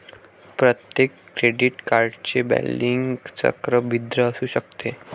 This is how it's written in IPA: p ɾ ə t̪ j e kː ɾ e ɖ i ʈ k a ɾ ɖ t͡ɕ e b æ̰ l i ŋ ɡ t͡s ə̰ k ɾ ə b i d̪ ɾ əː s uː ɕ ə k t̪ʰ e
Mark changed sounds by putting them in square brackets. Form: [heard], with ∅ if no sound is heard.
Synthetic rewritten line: p ɾ ə t̪ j e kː ɾ e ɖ i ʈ k a ɾ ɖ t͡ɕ e b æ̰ l i ŋ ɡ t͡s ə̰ k ɾ ə b i d̪ ɾ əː s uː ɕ ə k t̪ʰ e